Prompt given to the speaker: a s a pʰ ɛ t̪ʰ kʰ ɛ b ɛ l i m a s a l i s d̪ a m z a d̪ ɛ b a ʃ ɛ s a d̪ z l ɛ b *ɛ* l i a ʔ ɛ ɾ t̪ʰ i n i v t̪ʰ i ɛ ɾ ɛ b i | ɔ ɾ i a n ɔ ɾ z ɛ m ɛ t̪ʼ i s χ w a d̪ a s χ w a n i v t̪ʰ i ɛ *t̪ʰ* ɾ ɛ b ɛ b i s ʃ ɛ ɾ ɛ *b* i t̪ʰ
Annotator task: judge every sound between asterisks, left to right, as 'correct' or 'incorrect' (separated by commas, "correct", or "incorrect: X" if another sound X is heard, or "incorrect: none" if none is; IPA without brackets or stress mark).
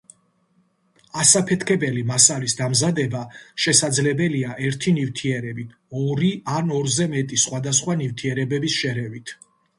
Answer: correct, incorrect: none, incorrect: v